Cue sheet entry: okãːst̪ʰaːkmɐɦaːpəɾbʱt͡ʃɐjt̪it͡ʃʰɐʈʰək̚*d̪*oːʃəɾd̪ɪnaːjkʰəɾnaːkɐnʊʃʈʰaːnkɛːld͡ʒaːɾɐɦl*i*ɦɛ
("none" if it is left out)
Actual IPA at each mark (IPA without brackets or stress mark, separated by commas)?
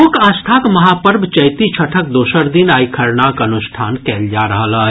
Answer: d̪, a